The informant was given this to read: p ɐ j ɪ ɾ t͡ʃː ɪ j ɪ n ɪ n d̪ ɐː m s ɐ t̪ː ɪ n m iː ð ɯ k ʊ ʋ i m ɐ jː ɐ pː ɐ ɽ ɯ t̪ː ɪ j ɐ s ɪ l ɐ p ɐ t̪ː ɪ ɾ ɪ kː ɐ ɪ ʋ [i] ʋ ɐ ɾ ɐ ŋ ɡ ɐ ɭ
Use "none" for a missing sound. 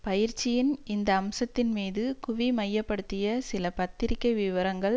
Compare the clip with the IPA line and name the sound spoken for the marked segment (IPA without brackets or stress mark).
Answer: ɪ